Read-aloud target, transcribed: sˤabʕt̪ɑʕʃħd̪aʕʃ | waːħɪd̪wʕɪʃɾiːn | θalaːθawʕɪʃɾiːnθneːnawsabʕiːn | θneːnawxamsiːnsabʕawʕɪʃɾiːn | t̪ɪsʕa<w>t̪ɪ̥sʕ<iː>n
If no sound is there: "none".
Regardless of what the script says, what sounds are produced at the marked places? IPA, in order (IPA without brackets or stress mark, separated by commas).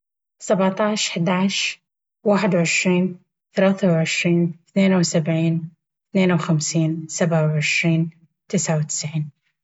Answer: w, iː